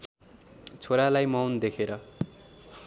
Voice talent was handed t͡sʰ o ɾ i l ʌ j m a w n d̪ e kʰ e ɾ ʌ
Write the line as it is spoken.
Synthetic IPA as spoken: t͡sʰ o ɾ a l a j m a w n d̪ e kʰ e ɾ ʌ